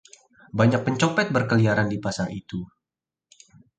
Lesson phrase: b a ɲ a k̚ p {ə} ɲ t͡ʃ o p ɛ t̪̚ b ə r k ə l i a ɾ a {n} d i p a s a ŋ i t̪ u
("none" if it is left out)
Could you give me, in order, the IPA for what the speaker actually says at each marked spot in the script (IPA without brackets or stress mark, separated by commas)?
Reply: ə, n